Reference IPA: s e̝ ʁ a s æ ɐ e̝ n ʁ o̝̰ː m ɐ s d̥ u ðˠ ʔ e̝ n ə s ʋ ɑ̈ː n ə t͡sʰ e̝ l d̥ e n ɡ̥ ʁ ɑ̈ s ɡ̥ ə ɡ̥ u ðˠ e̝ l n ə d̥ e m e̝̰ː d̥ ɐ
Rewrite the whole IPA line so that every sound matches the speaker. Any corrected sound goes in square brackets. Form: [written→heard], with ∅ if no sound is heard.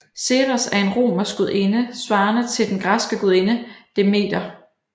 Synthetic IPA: s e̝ ʁ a s æ ɐ e̝ n ʁ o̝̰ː m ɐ s [d̥→ɡ̥] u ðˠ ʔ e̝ n ə s ʋ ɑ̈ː n ə t͡sʰ e̝ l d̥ e n ɡ̥ ʁ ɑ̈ s ɡ̥ ə ɡ̥ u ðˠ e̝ [l→∅] n ə d̥ e m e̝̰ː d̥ ɐ